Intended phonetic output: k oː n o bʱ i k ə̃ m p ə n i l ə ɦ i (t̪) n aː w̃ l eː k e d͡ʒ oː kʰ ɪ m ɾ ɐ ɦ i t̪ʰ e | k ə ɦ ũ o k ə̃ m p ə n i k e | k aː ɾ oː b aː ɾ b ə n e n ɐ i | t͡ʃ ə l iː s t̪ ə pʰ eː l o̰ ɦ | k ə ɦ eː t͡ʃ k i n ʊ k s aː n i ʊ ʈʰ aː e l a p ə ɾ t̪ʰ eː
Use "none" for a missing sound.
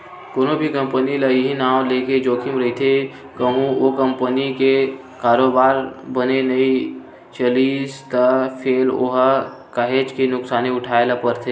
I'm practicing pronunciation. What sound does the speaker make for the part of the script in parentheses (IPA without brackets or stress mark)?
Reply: none